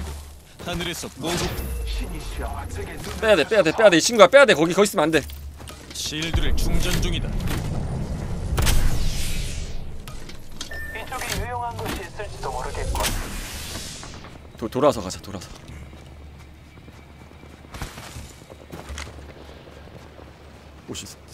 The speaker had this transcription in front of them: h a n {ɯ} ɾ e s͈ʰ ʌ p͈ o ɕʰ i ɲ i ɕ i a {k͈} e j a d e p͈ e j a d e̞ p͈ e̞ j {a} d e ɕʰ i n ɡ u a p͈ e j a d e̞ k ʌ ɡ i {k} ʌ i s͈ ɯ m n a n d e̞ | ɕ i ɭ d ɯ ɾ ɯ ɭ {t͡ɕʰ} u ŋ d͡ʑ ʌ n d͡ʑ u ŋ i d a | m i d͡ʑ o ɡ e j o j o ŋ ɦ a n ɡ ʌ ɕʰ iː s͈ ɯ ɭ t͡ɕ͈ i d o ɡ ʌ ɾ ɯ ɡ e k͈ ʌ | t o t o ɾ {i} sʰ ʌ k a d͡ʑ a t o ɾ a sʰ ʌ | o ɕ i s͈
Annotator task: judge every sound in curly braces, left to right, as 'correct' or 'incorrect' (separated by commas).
correct, incorrect, correct, correct, incorrect, incorrect